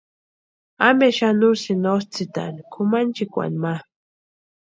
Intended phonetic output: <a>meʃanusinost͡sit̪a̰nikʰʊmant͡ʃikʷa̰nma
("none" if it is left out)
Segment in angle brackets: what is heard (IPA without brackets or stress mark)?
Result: a